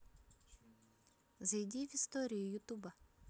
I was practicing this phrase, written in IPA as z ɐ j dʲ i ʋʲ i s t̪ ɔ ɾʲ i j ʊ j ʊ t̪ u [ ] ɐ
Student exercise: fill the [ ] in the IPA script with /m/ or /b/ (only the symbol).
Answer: b